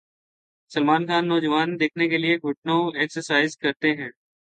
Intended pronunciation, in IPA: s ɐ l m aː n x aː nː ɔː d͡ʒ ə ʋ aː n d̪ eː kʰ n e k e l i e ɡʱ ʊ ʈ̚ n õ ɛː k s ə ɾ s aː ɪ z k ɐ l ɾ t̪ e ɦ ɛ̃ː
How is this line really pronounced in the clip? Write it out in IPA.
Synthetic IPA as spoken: s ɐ l m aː n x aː nː ɔː d͡ʒ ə ʋ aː n d̪ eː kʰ n e k e l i e ɡʱ ʊ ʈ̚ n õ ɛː k s ə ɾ s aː ɪ z k ɐ ɾ t̪ e ɦ ɛ̃ː